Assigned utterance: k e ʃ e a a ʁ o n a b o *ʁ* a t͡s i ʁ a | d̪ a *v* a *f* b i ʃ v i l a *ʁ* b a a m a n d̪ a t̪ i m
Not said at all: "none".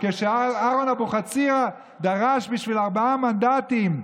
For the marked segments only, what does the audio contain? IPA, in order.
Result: χ, ʁ, ʃ, ʁ

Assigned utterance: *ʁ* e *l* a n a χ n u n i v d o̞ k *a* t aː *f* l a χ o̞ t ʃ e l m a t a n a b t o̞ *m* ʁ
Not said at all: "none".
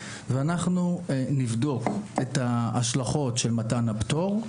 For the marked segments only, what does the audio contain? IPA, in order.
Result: v, none, e, ʃ, none

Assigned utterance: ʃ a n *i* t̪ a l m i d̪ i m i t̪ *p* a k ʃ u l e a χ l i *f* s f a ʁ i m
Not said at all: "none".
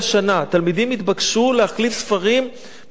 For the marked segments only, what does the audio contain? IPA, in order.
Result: a, b, f

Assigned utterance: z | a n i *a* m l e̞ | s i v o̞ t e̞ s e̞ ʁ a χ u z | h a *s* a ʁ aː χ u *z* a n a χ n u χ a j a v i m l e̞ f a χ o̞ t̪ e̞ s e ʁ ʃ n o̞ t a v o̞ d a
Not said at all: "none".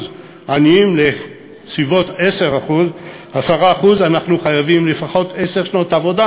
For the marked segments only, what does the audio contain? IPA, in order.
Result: i, s, z

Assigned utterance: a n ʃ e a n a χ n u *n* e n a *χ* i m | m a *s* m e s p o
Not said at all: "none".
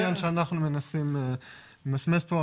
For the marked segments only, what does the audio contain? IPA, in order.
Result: m, s, s

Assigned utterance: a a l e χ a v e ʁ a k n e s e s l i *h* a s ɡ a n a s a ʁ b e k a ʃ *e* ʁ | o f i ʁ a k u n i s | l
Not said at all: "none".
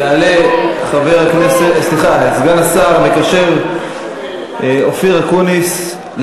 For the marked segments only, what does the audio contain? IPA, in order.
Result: χ, e

